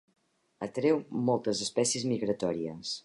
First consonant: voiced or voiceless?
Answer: voiceless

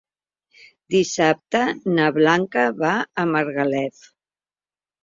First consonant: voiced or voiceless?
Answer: voiced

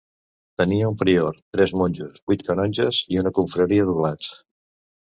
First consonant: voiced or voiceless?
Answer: voiceless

